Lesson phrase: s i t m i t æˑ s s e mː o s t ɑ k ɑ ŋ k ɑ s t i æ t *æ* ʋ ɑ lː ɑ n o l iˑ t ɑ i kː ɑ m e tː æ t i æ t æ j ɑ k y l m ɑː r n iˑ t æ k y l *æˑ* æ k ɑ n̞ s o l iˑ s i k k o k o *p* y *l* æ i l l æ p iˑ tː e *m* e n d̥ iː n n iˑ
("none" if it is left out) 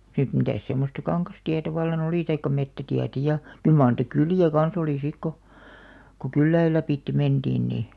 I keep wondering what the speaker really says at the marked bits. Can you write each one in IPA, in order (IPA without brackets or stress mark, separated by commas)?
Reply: æ, iˑ, k, lː, m